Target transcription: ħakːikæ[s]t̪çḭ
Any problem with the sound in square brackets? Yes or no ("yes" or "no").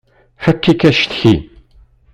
yes